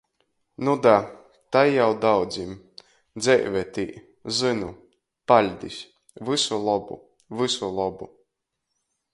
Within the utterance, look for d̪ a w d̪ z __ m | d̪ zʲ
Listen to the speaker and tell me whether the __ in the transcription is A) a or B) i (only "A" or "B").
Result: B